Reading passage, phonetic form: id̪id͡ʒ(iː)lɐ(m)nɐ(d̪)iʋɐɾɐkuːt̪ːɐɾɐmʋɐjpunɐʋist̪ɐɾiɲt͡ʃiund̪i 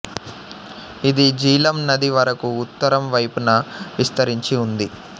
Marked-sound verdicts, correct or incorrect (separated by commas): correct, correct, correct